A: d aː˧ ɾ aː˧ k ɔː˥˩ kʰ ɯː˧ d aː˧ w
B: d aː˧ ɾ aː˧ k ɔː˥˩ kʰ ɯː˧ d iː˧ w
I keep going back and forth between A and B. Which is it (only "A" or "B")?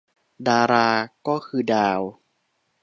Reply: A